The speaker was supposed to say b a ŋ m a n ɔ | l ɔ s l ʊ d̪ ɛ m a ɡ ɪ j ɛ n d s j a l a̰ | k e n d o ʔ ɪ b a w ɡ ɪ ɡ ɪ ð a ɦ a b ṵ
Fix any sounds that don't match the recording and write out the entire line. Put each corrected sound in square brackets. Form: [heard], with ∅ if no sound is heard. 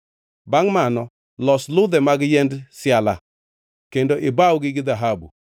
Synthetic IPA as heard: b a ŋ m a n ɔ | l ɔ s l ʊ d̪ ɛ m a ɡ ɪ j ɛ n d s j a l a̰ | k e n d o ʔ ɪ b a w ɡ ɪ ɡ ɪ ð a ɦ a b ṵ

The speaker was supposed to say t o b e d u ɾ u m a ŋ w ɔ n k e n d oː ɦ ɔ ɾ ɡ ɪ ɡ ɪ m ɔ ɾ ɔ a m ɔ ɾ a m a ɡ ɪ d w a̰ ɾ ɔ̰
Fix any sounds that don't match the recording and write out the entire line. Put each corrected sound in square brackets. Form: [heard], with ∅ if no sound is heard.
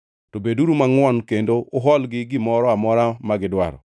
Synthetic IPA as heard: t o b e d u ɾ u m a ŋ w ɔ n k e n d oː ɦ ɔ [l] ɡ ɪ ɡ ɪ m ɔ ɾ ɔ a m ɔ ɾ a m a ɡ ɪ d w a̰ ɾ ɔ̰

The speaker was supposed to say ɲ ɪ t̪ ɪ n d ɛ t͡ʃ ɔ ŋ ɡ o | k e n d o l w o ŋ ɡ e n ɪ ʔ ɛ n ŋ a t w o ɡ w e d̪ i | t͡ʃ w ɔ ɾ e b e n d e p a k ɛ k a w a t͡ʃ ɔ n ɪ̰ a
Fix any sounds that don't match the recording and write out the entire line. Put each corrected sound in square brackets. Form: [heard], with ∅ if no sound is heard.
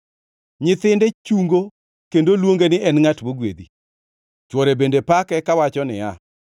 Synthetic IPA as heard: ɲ ɪ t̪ ɪ n d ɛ t͡ʃ [u] ŋ ɡ o | k e n d o l w o ŋ ɡ e n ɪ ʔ ɛ n ŋ a t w o ɡ w e d̪ i | t͡ʃ w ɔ ɾ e b e n d e p a k ɛ k a w a t͡ʃ ɔ n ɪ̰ a

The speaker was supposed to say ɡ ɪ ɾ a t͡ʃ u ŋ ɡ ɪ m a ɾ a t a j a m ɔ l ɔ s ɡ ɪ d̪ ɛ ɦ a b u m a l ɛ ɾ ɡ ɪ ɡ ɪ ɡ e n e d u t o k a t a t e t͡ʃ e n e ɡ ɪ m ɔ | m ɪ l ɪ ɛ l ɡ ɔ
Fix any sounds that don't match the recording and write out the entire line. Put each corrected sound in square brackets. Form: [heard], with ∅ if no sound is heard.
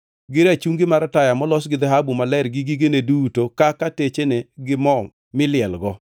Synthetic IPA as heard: ɡ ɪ ɾ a t͡ʃ u ŋ ɡ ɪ m a ɾ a t a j a m ɔ l ɔ s ɡ ɪ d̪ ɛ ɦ a b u m a l ɛ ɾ ɡ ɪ ɡ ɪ ɡ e n e d u t o k a [k] a t e t͡ʃ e n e ɡ ɪ m ɔ | m ɪ l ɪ ɛ l ɡ ɔ

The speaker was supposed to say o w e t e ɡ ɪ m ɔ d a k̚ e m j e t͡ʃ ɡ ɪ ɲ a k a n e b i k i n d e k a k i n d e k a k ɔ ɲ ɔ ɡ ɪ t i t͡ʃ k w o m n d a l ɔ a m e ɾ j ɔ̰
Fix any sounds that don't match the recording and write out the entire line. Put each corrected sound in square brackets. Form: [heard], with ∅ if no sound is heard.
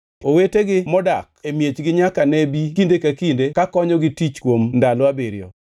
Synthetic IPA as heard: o w e t e ɡ ɪ m ɔ d a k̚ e m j e t͡ʃ ɡ ɪ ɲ a k a n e b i k i n d e k a k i n d e k a k ɔ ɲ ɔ ɡ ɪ t i t͡ʃ k w o m n d a l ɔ a [b] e ɾ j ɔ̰

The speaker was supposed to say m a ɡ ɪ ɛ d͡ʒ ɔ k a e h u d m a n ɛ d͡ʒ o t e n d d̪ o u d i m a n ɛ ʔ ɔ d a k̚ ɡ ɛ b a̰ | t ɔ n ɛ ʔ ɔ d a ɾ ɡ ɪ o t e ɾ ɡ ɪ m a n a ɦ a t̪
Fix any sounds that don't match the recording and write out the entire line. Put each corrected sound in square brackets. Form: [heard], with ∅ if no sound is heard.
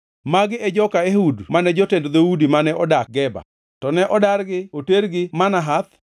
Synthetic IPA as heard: m a ɡ ɪ ɛ d͡ʒ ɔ k a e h u d m a n ɛ d͡ʒ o t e n d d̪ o u d i m a n ɛ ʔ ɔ d a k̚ ɡ ɛ b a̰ | t ɔ n ɛ ʔ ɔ d a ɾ ɡ ɪ o t e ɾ ɡ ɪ m a n a ɦ a t̪

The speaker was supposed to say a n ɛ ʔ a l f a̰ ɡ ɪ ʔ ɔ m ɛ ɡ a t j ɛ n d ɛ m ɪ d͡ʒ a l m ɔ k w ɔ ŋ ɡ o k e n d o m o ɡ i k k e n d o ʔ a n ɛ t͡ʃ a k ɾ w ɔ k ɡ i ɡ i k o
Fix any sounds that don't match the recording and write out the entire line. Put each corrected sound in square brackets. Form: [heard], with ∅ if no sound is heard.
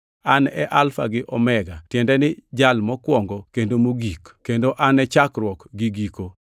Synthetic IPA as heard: a n ɛ ʔ a l f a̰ ɡ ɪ ʔ ɔ m ɛ ɡ a t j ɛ n d ɛ [n] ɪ d͡ʒ a l m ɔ k w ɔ ŋ ɡ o k e n d o m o ɡ i k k e n d o ʔ a n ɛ t͡ʃ a k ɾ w ɔ k ɡ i ɡ i k o

